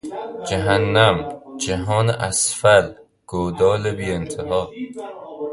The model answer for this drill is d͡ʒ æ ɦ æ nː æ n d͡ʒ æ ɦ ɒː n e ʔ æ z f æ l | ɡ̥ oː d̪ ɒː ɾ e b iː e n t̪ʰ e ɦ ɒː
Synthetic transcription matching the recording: d͡ʒ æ ɦ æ nː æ m d͡ʒ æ ɦ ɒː n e ʔ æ s f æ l | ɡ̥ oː d̪ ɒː l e b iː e n t̪ʰ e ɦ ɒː